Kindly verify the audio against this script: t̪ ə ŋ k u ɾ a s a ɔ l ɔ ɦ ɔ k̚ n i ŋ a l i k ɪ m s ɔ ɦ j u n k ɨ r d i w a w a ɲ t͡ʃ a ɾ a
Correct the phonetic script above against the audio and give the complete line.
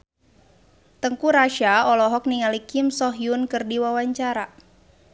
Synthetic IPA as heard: t̪ ə ŋ k u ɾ a ʃ a ɔ l ɔ ɦ ɔ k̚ n i ŋ a l i k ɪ m s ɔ ɦ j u n k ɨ r d i w a w a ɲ t͡ʃ a ɾ a